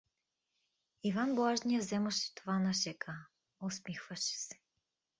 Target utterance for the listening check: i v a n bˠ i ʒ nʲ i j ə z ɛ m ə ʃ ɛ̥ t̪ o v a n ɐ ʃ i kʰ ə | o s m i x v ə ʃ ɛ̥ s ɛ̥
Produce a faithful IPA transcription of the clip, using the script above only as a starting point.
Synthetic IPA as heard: i v a n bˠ a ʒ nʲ i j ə z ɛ m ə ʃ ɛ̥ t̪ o v a n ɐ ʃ ɛ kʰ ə | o s m i x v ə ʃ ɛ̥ s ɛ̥